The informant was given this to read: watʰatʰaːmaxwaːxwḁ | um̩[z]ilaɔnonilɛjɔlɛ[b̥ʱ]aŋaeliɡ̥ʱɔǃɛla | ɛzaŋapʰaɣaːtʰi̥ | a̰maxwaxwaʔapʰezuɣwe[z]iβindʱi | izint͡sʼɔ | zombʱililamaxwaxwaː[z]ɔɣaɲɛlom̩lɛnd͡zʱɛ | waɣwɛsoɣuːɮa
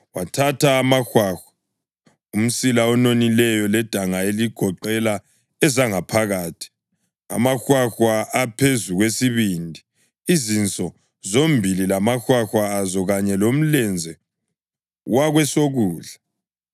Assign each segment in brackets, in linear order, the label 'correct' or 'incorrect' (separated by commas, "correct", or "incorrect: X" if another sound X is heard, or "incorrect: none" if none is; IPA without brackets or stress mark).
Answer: incorrect: s, incorrect: d̥ʱ, incorrect: s, correct